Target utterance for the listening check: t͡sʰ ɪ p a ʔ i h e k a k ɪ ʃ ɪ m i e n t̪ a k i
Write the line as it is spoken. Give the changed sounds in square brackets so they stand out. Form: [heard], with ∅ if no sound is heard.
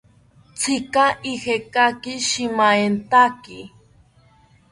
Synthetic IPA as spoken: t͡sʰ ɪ [k] a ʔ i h e k a k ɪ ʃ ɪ m [a] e n t̪ a k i